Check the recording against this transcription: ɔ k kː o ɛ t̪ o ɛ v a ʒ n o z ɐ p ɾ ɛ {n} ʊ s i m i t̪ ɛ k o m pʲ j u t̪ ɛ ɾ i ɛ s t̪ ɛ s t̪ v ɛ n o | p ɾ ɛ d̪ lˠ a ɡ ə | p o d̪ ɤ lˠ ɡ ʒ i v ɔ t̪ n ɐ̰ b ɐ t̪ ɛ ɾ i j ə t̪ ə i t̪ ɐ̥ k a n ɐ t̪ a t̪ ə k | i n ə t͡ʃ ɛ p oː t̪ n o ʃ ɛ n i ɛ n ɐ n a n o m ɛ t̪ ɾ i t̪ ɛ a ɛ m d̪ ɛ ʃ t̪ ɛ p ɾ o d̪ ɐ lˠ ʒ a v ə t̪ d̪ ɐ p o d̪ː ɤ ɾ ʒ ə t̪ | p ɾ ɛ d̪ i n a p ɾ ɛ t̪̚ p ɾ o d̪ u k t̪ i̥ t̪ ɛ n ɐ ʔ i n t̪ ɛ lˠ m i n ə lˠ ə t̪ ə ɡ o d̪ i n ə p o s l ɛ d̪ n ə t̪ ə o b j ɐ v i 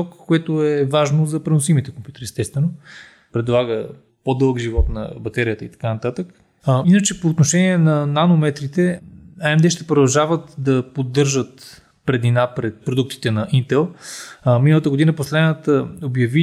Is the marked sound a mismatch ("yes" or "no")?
no